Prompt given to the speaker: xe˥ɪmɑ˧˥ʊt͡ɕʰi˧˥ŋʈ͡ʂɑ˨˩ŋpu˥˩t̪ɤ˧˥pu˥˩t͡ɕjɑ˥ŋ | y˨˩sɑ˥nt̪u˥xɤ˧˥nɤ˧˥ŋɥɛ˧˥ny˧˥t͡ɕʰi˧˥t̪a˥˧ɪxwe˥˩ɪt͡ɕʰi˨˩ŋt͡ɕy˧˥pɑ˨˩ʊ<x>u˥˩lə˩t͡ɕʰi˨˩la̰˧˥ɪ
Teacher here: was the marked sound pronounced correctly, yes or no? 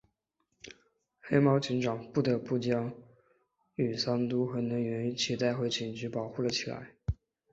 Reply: yes